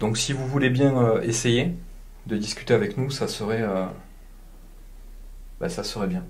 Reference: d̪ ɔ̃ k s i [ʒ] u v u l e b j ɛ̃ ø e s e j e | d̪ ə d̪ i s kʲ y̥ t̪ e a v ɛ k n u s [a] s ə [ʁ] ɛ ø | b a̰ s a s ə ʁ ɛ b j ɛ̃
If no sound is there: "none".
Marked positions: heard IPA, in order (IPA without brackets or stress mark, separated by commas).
v, a, ʁ